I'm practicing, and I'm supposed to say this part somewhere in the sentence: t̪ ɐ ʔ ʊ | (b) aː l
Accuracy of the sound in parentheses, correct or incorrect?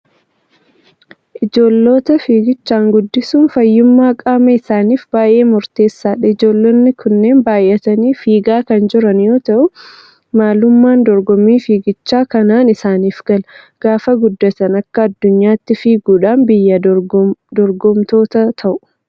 incorrect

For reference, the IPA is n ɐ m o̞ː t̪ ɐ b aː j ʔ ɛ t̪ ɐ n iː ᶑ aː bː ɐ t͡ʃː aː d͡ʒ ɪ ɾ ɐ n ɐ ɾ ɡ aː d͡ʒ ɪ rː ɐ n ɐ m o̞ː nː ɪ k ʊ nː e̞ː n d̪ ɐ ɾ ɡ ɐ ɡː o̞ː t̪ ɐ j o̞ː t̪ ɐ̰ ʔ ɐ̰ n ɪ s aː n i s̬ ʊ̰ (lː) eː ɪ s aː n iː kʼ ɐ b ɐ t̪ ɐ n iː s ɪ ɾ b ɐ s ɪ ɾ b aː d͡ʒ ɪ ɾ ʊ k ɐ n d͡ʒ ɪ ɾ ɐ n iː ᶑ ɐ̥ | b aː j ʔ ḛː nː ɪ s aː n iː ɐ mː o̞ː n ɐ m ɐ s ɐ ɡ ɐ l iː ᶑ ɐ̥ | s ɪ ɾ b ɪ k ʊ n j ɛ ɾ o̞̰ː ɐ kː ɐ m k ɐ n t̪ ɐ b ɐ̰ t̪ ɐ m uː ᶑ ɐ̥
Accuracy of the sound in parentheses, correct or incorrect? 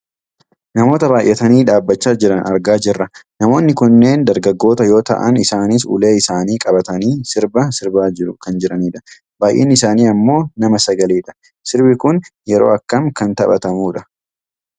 incorrect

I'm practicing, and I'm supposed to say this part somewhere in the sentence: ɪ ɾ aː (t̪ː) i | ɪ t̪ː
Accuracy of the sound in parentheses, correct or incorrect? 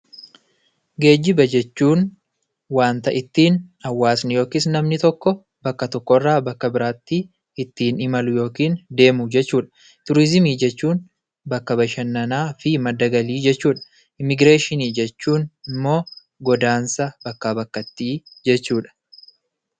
correct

